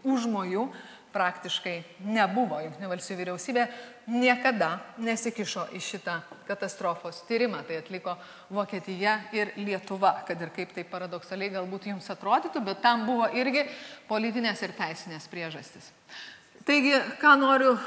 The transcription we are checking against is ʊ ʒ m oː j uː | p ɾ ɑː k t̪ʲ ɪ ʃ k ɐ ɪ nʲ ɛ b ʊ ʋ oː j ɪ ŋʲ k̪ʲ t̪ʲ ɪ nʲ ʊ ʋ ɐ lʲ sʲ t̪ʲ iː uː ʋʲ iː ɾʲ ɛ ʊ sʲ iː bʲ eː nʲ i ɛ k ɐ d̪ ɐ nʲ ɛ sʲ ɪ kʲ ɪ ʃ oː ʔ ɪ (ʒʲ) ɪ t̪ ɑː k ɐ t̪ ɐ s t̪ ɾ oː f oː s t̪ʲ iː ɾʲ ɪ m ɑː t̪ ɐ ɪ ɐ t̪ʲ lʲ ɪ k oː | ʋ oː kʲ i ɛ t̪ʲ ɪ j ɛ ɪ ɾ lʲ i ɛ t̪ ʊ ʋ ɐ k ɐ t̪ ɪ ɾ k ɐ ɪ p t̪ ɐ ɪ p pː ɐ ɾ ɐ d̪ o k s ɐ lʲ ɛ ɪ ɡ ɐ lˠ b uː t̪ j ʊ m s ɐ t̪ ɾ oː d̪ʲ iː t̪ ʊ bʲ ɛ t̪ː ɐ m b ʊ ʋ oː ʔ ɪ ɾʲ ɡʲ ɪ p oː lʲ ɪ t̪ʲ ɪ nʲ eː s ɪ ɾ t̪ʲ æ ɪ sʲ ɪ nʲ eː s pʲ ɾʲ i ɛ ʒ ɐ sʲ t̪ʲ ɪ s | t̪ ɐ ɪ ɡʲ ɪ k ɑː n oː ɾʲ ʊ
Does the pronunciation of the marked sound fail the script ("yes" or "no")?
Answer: yes